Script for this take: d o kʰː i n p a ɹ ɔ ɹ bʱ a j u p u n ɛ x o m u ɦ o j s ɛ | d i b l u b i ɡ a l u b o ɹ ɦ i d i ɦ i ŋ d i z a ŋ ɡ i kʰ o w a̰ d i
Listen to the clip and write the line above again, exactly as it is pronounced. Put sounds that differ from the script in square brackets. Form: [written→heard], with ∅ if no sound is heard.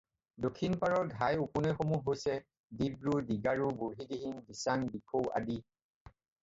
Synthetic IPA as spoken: d o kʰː i n p a ɹ ɔ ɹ [bʱ→ɡʱ] a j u p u n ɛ x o m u ɦ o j s ɛ | d i b [l→ɹ] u [b→d] i ɡ a [l→ɹ] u b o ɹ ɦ i d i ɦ i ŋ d i [z→s] a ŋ [ɡ→b] i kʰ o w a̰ d i